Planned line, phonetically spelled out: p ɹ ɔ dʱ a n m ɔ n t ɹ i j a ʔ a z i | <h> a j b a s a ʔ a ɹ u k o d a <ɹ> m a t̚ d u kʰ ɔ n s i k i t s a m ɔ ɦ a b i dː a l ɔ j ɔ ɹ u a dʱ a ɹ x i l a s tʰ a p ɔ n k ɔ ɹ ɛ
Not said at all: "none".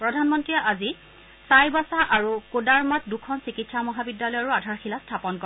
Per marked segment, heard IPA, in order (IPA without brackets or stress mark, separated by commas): s, ɹ